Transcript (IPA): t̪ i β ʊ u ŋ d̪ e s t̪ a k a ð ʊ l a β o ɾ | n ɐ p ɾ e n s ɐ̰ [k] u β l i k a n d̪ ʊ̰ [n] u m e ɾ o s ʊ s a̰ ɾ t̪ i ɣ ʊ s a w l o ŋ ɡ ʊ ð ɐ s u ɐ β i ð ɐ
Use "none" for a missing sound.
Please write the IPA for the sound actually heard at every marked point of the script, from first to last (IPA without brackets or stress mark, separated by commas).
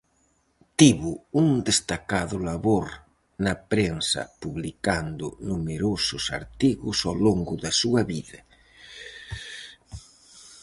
p, n